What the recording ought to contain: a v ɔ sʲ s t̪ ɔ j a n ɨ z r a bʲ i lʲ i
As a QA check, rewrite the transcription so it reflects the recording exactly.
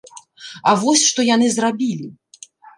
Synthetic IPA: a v ɔ sʲ ʂ t̪ ɔ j a n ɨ z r a bʲ i lʲ i